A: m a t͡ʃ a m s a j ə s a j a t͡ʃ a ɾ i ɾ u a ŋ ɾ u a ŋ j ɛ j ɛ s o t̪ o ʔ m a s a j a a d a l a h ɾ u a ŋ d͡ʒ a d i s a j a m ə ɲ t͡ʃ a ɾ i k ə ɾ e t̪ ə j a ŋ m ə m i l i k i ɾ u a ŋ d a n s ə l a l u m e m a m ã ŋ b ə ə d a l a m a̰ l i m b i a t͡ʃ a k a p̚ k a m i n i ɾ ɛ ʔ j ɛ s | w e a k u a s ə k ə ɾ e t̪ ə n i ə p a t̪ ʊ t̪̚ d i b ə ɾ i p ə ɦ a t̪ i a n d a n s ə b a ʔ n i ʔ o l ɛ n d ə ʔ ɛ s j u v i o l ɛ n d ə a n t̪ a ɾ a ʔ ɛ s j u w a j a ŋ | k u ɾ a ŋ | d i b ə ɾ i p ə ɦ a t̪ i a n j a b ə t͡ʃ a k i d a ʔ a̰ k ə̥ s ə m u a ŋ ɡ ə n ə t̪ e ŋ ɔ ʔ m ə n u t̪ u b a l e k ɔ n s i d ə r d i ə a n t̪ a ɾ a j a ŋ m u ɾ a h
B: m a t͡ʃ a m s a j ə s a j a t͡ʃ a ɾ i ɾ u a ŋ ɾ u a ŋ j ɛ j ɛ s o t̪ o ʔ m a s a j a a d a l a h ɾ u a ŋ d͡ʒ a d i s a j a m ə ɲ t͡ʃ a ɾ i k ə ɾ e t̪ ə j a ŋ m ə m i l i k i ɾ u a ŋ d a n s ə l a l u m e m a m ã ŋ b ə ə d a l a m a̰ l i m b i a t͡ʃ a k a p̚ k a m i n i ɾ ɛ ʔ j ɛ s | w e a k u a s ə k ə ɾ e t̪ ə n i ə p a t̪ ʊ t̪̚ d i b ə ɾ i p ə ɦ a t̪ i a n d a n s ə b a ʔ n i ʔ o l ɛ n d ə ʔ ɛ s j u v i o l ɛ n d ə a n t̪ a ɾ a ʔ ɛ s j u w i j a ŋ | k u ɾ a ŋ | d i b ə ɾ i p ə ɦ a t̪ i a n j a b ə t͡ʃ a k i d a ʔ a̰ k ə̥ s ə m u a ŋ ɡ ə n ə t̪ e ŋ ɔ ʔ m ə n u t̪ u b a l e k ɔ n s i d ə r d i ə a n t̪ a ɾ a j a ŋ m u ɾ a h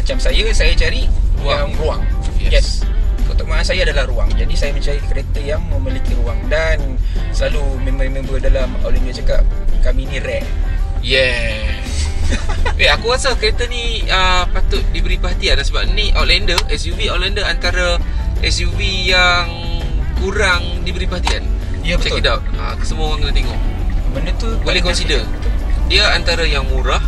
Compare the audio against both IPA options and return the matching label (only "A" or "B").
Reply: B